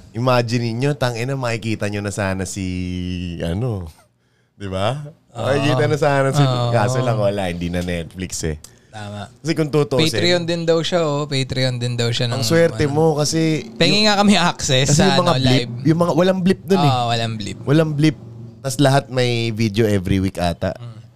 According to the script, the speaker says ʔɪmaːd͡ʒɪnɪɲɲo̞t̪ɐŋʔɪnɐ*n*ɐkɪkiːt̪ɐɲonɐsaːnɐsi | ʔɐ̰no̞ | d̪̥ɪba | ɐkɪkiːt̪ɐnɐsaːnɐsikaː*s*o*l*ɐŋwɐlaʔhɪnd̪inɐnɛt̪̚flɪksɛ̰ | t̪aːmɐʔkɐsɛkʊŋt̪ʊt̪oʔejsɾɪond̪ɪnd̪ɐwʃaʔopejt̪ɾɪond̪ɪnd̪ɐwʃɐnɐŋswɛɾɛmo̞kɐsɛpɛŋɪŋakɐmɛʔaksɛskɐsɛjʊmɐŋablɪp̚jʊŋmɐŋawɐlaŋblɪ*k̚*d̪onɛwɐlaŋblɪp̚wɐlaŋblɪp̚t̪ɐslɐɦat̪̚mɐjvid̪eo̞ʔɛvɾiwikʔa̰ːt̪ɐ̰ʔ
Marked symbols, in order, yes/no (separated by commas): no, yes, yes, no